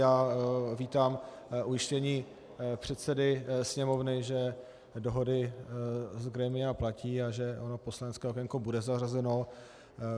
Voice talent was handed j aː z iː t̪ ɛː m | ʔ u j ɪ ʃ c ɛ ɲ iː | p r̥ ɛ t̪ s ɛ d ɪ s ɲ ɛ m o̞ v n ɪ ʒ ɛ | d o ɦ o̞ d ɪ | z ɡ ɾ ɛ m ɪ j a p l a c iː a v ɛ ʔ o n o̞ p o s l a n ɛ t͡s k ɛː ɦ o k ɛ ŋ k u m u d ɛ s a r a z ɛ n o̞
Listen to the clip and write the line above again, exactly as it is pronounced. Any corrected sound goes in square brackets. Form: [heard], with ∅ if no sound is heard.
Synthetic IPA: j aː [v] iː t̪ [aː] m | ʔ u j ɪ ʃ c ɛ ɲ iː | p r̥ ɛ t̪ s ɛ d ɪ s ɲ ɛ m o̞ v n ɪ ʒ ɛ | d o ɦ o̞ d ɪ | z ɡ ɾ ɛ m ɪ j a p l a c iː a [ʒ] ɛ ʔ o n o̞ p o s l a n ɛ t͡s k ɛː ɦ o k ɛ ŋ k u [b] u d ɛ [z] a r a z ɛ n o̞